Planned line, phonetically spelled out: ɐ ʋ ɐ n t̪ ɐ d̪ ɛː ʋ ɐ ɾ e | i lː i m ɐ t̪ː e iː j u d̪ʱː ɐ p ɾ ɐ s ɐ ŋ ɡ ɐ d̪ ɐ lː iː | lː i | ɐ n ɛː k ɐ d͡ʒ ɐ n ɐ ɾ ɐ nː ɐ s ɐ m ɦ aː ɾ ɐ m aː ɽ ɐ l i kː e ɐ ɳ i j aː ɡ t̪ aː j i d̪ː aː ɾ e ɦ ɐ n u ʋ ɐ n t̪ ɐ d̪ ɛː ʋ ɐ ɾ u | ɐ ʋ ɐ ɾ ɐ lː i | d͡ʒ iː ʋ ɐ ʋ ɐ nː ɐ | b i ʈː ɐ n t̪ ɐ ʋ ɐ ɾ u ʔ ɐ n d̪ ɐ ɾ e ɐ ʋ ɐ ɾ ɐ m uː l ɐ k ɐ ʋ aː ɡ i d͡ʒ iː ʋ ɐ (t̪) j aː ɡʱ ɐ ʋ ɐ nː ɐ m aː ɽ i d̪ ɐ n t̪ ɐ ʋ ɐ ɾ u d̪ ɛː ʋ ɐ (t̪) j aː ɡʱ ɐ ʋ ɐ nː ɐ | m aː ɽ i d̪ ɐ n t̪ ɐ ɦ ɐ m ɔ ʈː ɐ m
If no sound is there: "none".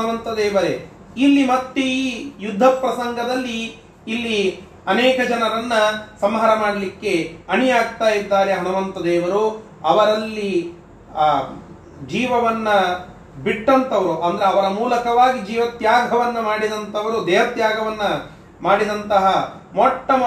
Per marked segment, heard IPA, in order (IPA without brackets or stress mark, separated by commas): t̪, t̪